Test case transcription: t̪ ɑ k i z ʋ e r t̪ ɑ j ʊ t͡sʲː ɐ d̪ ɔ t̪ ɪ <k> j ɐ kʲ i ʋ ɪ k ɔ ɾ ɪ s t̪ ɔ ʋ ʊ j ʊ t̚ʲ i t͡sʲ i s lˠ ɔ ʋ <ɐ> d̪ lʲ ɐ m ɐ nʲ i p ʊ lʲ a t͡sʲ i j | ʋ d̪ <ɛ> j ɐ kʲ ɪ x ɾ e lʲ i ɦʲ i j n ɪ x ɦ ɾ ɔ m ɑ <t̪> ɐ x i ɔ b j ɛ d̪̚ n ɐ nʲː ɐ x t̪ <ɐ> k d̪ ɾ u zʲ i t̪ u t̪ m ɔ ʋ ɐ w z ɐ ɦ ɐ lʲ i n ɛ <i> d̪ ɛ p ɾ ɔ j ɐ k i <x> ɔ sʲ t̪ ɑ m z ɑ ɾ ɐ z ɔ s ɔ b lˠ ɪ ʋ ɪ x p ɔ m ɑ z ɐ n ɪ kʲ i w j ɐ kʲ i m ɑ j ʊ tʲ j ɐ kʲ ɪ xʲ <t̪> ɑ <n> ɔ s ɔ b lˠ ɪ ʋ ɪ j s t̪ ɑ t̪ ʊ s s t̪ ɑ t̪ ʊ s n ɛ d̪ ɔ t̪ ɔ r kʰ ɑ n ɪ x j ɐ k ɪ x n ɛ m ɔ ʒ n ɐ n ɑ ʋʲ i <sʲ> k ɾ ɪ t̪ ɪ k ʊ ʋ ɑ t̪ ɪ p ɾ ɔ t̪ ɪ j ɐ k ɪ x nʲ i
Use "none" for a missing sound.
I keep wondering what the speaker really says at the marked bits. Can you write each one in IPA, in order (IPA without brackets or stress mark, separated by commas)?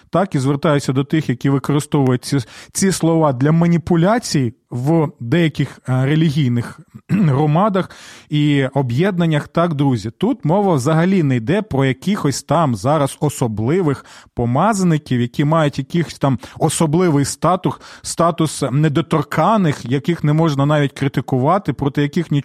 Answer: x, ɑ, ɛ, d̪, ɑ, j, x, t̪, m, tʲ